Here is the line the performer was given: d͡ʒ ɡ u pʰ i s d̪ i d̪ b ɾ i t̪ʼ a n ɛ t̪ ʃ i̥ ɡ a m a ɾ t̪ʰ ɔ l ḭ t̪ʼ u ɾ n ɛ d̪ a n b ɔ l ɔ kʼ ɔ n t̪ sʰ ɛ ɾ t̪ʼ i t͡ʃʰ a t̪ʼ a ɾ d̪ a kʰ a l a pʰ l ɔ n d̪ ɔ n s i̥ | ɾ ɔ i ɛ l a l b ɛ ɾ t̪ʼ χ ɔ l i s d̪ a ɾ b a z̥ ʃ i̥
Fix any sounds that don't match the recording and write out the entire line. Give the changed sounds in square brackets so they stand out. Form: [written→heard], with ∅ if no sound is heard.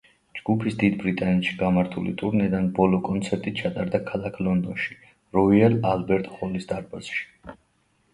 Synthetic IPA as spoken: d͡ʒ ɡ u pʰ i s d̪ i d̪ b ɾ i t̪ʼ a n ɛ t̪ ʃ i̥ ɡ a m a ɾ t̪ʰ [ɔ→u] l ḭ t̪ʼ u ɾ n ɛ d̪ a n b ɔ l ɔ kʼ ɔ n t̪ sʰ ɛ ɾ t̪ʼ i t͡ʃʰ a t̪ʼ a ɾ d̪ a kʰ a l a [pʰ→kʰ] l ɔ n d̪ ɔ n [s→ʃ] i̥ | ɾ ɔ i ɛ l a l b ɛ ɾ t̪ʼ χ ɔ l i s d̪ a ɾ b a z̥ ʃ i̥